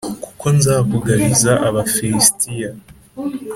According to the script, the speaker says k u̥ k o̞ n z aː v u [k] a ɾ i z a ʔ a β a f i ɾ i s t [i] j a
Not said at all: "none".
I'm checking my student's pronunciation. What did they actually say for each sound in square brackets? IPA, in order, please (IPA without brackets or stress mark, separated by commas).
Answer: ɡ, i